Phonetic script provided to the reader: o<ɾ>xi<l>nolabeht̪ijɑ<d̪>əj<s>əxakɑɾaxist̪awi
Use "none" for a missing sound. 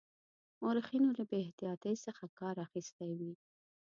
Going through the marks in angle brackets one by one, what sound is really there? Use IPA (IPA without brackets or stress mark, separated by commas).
ɾ, none, t̪, s